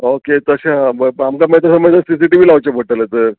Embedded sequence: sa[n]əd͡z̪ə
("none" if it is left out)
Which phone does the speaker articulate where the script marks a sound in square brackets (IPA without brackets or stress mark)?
m